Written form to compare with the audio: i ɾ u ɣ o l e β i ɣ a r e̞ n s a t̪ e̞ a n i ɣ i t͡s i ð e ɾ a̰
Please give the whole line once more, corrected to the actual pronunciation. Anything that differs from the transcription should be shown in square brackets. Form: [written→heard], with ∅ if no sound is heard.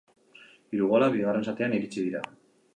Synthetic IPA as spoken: i ɾ u ɣ o l [e→a] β i ɣ a r e̞ n s a t̪ e̞ a n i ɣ i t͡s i ð [e→i] ɾ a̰